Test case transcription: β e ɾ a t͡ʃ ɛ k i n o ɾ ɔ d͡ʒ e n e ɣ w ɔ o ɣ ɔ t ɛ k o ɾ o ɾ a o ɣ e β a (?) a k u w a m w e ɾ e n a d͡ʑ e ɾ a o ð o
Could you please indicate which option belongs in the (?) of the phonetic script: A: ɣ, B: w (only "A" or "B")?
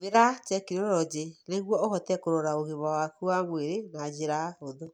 B